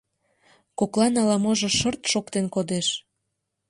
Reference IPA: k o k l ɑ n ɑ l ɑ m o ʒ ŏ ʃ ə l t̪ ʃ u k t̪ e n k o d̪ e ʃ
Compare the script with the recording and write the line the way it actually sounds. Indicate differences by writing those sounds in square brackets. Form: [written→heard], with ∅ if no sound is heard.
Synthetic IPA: k o k l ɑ n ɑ l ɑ m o ʒ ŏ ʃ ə [l→r] t̪ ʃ [u→o] k t̪ e n k o d̪ e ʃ

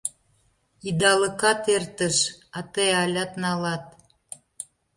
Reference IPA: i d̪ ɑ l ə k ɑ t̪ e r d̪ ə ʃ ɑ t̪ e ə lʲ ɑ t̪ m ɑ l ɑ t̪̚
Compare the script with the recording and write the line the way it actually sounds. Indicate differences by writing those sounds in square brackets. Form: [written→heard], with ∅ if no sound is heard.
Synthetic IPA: i d̪ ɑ l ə k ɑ t̪ e r [d̪→t̪] ə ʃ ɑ t̪ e [ə→ɑ] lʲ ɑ t̪ [m→n] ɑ l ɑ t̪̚

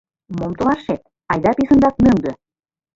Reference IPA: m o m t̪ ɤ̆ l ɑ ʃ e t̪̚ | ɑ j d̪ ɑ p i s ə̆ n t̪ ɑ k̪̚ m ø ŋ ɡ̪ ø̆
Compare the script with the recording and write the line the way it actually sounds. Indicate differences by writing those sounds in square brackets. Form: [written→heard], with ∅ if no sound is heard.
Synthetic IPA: m o m t̪ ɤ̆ l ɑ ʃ e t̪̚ | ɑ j d̪ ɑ p i s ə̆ n [t̪→d̪] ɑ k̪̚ m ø ŋ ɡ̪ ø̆

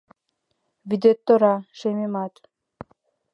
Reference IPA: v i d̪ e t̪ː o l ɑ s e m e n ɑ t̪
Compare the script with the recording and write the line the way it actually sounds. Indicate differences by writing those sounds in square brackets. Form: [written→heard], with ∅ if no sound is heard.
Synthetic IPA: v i d̪ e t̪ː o [l→ɾ] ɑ [s→ʃ] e m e [n→m] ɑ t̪

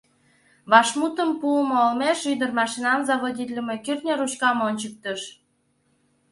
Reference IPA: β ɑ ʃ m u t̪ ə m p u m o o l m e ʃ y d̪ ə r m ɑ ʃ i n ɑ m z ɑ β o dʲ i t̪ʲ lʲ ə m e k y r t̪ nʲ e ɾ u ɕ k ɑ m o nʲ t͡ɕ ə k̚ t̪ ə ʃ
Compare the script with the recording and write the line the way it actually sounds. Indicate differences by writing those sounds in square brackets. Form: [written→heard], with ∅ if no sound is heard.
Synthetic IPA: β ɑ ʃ m u t̪ ə m p u m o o l m e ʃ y d̪ ə r m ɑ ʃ i n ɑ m z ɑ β o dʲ i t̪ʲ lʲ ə m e k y r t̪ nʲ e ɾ u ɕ k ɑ m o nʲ t͡ɕ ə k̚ t̪ ə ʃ

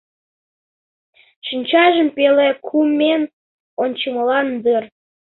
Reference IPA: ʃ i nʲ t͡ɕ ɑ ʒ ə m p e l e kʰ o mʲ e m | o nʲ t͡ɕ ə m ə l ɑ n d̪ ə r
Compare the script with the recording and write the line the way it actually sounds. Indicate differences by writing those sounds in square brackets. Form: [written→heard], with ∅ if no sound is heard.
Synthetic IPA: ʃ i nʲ t͡ɕ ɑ ʒ ə m p e l e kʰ [o→u] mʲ e [m→n] | o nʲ t͡ɕ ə m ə l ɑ n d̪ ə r

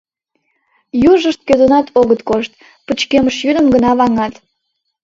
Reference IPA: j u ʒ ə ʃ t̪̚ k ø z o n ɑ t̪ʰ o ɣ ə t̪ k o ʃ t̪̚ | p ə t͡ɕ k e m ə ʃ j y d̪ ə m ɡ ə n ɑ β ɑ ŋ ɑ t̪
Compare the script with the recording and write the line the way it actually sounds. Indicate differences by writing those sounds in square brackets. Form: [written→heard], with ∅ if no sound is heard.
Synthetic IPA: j u ʒ ə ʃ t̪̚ k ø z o n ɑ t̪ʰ o ɣ ə t̪ k o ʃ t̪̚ | p ə t͡ɕ k e m ə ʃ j y d̪ ə m ɡ ə n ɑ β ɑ ŋ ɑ t̪

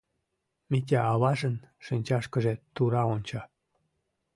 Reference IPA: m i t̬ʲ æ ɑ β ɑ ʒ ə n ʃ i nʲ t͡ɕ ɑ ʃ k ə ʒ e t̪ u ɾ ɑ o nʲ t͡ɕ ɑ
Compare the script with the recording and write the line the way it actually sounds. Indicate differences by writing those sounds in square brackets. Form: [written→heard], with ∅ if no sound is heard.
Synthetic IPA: m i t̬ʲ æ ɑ β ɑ ʒ ə n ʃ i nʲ t͡ɕ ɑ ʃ k ə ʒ e t̪ u ɾ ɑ o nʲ t͡ɕ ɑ

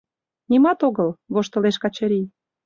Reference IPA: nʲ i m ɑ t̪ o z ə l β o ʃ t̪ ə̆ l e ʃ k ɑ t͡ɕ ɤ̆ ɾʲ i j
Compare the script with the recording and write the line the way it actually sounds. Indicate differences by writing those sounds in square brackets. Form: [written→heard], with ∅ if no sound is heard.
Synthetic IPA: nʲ i m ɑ t̪ o [z→ɣ] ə l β o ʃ t̪ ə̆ l e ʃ k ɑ t͡ɕ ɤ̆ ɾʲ i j

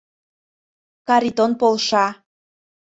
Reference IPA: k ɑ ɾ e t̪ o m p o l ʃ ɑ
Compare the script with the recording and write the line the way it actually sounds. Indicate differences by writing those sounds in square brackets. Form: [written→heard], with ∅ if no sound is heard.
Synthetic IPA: k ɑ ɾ [e→i] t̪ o [m→n] p o l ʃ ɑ

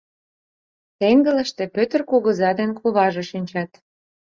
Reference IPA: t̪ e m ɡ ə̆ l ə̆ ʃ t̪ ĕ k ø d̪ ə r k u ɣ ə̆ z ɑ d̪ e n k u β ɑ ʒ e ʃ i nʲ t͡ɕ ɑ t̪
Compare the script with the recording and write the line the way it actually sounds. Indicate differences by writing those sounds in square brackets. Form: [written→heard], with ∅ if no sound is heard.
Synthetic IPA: t̪ e [m→ŋ] ɡ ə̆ l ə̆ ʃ t̪ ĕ [k→p] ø [d̪→t̪] ə r k u ɣ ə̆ z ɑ d̪ e n k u β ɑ ʒ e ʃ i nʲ t͡ɕ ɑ t̪

